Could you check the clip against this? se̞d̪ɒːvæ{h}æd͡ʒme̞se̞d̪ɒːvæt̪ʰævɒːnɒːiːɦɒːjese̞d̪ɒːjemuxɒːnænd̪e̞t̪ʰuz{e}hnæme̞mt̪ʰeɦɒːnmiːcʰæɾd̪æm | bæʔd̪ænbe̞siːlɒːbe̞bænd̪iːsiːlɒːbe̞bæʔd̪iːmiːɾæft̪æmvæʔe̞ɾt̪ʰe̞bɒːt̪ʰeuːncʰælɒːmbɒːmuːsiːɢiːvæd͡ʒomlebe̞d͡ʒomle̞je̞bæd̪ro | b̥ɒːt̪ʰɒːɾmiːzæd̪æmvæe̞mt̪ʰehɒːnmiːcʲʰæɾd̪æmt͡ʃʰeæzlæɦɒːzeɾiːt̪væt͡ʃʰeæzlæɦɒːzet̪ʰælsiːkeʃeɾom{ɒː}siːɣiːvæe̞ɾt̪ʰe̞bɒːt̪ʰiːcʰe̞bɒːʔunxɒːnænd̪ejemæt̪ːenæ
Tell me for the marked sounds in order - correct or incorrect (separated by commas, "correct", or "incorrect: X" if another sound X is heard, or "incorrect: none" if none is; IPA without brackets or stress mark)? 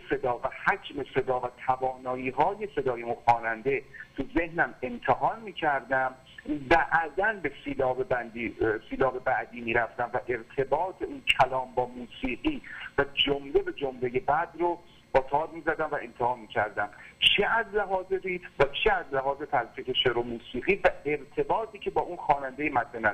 correct, correct, incorrect: uː